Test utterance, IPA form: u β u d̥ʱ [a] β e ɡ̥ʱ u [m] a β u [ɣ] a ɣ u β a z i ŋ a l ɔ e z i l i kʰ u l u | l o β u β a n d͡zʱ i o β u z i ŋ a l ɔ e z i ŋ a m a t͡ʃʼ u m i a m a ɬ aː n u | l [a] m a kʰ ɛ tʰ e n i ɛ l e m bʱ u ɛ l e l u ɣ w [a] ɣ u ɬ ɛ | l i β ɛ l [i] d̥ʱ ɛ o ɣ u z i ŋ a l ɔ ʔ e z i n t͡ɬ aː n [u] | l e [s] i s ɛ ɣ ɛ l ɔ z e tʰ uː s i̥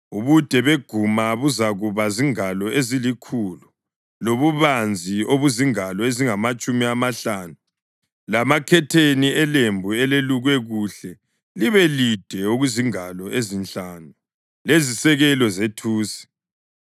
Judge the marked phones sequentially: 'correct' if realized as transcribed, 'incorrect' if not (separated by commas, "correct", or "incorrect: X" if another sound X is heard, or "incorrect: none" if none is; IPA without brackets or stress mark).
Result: incorrect: ɛ, correct, incorrect: z, correct, incorrect: ɛ, correct, correct, incorrect: z